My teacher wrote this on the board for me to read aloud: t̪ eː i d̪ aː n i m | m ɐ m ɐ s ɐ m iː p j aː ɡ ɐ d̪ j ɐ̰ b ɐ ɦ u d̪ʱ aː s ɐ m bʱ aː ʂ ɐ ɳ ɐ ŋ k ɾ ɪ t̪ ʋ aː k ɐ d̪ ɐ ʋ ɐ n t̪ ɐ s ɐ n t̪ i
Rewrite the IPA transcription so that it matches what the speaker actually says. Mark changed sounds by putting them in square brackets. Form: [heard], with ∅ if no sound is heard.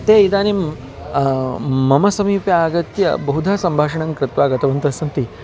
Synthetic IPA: t̪ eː i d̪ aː n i m | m ɐ m ɐ s ɐ m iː p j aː ɡ ɐ [t̪] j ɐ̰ b ɐ ɦ u d̪ʱ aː s ɐ m bʱ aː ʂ ɐ ɳ ɐ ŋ k ɾ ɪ t̪ ʋ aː [ɡ] ɐ [t̪] ɐ ʋ ɐ n t̪ ɐ s ɐ n t̪ i